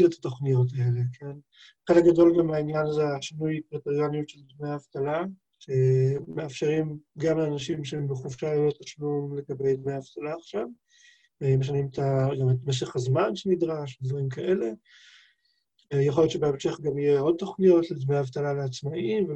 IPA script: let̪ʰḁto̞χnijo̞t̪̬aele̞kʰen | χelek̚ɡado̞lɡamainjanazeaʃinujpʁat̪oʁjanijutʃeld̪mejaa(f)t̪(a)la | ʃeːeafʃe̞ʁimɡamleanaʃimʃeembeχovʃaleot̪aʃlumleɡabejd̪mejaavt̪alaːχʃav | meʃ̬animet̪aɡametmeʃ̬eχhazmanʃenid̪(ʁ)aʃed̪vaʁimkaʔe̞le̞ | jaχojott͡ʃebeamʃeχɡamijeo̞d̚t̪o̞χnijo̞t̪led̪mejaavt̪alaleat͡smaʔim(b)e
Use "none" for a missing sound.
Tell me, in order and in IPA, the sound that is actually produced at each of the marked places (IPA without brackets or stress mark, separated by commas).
v, a, ʁ, v